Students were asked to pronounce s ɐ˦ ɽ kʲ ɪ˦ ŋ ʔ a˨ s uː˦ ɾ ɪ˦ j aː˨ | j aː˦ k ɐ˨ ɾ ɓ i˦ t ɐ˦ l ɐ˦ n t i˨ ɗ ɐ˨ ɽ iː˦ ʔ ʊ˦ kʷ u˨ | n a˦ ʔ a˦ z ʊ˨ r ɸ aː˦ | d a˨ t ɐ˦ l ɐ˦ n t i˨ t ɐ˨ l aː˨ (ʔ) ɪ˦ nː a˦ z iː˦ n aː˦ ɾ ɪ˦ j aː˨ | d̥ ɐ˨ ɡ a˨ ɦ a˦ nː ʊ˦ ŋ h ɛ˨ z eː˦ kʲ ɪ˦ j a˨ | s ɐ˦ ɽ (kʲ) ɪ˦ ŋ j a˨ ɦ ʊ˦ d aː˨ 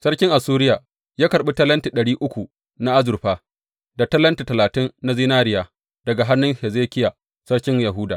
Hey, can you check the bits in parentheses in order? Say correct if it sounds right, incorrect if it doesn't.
incorrect: t, correct

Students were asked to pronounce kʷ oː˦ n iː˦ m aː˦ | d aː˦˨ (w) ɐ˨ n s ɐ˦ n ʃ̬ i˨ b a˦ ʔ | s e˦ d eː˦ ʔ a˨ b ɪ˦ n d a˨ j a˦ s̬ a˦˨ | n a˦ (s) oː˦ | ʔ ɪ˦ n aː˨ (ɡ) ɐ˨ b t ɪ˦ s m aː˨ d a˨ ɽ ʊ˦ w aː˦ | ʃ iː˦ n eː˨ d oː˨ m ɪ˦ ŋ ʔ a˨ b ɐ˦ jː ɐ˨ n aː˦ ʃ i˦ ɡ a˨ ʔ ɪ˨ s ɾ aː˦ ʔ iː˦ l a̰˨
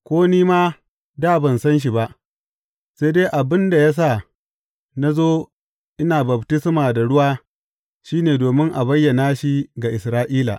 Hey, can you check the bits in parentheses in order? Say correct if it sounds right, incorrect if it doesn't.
incorrect: b, incorrect: z, incorrect: b

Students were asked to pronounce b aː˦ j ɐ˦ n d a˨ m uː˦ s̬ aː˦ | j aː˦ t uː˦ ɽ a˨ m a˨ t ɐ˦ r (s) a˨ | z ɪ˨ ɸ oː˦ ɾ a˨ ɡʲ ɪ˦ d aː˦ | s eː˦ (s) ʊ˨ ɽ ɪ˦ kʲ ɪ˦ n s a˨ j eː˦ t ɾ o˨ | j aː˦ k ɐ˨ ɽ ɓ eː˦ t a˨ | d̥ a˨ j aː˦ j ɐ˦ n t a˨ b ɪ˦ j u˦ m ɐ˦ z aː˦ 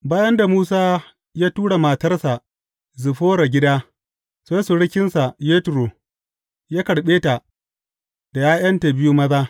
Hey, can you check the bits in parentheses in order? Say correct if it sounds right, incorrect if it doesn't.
correct, correct

